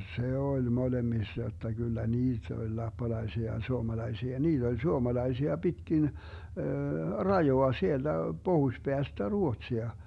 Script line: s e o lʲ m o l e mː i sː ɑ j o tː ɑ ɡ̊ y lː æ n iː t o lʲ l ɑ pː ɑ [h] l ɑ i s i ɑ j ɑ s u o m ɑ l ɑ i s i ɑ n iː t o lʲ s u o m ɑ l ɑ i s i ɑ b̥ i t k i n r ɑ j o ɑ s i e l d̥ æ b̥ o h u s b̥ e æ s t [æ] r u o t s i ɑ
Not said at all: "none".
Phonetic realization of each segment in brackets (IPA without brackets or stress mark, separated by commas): none, æ